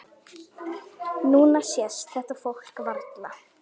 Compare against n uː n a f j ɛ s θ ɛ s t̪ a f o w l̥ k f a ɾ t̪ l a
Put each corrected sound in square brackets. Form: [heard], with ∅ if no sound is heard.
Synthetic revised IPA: n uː n a [s] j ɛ s θ ɛ [h] t̪ a f o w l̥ k [v] a ɾ t̪ l a